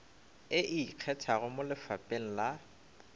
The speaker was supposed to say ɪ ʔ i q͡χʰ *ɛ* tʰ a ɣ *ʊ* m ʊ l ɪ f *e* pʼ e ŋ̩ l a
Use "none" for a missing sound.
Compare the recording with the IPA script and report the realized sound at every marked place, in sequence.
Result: ɛ, ʊ, a

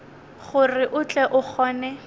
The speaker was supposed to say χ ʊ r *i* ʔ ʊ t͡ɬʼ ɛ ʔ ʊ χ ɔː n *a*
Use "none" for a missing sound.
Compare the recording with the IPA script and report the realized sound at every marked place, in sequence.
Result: ɪ, ɛ

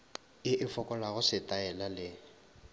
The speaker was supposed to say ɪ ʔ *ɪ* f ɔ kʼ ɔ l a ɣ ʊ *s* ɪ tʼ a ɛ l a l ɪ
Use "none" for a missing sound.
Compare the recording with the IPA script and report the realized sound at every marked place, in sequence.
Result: ɪ, s

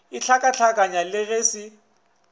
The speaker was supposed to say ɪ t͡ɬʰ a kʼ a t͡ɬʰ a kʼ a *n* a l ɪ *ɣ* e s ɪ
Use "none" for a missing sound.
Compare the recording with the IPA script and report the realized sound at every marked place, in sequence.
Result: ɲ, ɣ

